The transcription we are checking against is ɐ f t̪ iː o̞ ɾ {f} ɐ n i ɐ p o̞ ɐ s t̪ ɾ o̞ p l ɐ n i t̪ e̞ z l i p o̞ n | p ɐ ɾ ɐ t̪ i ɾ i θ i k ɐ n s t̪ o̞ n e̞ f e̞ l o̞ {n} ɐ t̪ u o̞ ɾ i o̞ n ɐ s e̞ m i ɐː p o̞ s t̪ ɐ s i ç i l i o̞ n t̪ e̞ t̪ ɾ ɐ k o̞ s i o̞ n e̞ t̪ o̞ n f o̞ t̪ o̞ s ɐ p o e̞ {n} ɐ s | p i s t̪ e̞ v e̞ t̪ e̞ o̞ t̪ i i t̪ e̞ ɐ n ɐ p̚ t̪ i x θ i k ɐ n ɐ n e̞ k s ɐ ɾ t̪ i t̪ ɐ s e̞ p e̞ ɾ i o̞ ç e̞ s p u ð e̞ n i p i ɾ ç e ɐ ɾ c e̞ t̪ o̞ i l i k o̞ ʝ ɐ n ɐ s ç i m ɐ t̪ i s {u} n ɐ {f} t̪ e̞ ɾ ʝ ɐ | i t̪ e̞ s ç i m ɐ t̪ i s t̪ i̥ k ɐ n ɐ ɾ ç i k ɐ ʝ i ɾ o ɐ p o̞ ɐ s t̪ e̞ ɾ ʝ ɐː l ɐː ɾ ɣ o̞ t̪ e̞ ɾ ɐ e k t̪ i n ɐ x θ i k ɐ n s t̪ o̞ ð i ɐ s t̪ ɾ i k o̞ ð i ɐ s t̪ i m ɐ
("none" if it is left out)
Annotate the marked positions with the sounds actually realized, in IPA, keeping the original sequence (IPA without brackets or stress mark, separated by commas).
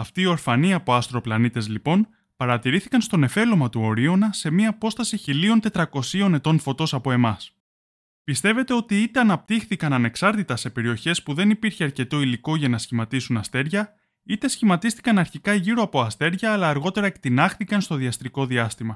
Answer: f, m, m, u, s